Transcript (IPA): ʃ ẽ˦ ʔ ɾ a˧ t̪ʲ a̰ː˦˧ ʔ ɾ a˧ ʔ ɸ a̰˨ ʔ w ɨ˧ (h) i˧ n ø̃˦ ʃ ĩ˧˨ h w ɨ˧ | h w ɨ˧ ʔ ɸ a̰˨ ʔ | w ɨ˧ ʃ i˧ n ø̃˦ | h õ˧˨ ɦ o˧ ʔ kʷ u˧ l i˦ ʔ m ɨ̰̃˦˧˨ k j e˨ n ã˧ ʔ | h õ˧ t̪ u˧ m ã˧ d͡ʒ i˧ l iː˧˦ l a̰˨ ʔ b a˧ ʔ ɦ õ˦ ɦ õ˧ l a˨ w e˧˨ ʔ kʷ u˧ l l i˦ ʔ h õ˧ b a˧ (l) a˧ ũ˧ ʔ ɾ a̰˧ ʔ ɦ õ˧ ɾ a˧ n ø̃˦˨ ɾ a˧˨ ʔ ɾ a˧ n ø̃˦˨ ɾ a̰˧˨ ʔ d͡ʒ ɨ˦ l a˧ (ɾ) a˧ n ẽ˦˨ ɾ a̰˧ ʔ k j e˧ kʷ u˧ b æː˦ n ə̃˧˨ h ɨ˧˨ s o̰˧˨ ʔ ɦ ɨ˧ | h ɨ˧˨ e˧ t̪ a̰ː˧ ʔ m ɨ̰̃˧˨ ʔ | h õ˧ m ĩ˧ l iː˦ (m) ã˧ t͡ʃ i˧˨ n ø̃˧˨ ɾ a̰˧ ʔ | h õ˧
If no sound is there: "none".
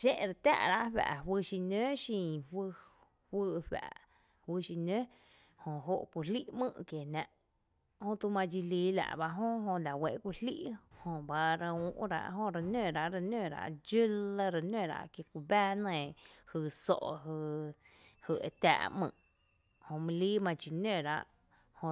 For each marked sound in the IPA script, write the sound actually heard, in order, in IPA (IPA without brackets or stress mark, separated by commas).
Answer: ʃ, ɾ, ɾ, m